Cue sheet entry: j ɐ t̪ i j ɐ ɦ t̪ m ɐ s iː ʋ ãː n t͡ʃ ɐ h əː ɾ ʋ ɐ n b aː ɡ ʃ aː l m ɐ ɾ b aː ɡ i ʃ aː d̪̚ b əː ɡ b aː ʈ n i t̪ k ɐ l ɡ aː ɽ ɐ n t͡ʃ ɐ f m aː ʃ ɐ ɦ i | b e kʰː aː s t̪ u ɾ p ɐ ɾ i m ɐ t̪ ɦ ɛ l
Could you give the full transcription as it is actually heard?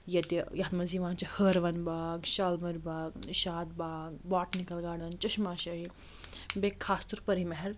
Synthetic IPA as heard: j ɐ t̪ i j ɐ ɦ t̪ m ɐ z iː ʋ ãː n t͡ʃ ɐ h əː ɾ ʋ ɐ n b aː ɡ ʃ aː l m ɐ ɾ b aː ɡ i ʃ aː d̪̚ b aː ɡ b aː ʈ n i k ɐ l ɡ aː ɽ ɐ n t͡ʃ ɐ ʃ m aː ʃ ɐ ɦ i | b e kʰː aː s t̪ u ɾ p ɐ ɾ i m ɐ ɦ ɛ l